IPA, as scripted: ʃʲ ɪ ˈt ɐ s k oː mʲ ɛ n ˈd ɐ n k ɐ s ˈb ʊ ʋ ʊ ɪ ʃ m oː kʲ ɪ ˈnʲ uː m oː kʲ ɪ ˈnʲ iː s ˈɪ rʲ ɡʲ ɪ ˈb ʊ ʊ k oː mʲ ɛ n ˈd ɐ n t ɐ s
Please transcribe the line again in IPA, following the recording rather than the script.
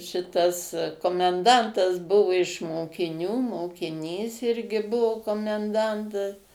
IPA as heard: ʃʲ ɪ ˈt ɐ s k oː mʲ ɛ n ˈd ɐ n t ɐ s ˈb ʊ ʋ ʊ ɪ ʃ m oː kʲ ɪ ˈnʲ uː m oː kʲ ɪ ˈnʲ iː s ˈɪ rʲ ɡʲ ɪ ˈb ʊ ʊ k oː mʲ ɛ n ˈd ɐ n t ɐ s